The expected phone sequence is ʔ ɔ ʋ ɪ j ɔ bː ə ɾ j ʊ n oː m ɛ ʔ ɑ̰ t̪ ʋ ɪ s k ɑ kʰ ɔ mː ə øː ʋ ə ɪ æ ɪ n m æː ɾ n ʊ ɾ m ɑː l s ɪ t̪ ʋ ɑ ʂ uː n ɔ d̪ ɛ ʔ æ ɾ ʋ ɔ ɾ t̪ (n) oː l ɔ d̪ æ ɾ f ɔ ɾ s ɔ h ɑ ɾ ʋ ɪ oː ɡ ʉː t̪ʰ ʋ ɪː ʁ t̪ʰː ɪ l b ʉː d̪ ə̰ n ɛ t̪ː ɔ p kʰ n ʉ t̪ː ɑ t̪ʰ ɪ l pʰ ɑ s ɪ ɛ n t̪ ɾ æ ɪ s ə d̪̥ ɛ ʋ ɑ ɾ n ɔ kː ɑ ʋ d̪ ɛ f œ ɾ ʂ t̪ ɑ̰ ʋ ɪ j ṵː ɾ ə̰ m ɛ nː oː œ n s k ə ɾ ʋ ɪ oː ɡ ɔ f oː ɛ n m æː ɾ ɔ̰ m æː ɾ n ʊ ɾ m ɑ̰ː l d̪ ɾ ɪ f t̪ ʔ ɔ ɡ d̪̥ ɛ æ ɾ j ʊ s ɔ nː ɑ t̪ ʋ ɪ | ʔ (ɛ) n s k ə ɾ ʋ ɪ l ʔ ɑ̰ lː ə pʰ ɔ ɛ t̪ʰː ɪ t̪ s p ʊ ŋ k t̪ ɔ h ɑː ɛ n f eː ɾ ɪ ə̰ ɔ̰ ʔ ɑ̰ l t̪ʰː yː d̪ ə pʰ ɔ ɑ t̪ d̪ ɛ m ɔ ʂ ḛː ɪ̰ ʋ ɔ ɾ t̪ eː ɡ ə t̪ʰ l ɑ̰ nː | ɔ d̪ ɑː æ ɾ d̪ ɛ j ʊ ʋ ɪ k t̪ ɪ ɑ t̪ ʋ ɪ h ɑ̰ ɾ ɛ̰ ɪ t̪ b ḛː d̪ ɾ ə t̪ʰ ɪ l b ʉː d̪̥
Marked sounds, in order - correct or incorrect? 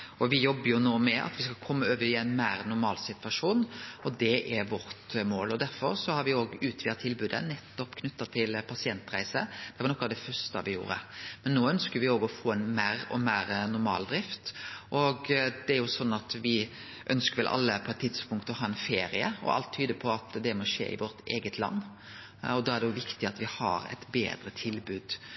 incorrect, incorrect

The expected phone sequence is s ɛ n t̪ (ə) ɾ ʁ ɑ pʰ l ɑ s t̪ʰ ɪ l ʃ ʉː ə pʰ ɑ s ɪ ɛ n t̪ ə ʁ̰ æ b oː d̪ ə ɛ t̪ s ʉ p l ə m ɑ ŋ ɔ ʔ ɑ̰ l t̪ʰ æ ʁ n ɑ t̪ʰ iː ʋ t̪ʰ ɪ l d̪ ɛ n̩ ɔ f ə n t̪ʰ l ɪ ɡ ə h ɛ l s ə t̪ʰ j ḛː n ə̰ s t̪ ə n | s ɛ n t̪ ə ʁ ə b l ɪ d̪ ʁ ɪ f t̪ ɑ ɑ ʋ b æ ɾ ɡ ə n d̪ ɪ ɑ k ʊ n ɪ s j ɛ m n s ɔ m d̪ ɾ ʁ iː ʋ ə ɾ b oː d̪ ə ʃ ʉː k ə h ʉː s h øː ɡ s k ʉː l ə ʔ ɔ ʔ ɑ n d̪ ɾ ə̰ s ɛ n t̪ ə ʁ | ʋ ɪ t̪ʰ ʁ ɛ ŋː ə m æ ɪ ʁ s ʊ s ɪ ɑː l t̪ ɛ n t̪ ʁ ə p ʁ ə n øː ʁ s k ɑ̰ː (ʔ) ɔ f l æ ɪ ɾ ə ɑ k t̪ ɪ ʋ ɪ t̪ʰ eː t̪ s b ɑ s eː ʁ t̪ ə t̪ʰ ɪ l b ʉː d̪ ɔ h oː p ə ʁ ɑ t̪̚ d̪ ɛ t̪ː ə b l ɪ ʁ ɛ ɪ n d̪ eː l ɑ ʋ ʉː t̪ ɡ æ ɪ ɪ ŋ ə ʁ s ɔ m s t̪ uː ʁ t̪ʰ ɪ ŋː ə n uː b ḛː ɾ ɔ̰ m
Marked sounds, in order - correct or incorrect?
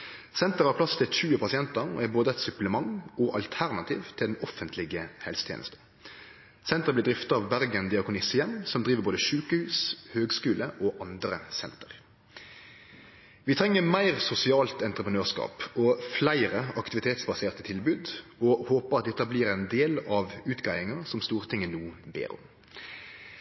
correct, incorrect

